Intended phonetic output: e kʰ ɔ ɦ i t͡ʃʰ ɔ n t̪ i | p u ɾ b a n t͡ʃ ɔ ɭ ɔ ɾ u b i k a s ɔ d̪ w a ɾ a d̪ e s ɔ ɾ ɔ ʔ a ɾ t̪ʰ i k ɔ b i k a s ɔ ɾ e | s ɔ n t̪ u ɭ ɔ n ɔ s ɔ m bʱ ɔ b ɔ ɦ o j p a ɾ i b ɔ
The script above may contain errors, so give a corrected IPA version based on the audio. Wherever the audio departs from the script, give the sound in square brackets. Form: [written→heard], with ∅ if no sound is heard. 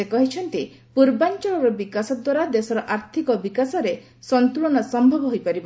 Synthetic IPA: e [kʰ→k] ɔ ɦ i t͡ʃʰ ɔ n t̪ i | p u ɾ b a n t͡ʃ ɔ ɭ ɔ ɾ [u→ɔ] b i k a s ɔ d̪ w a ɾ a d̪ e s ɔ ɾ ɔ ʔ a ɾ t̪ʰ i k ɔ b i k a s ɔ ɾ e | s ɔ n t̪ u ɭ ɔ n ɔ s ɔ m bʱ ɔ b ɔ ɦ o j p a ɾ i b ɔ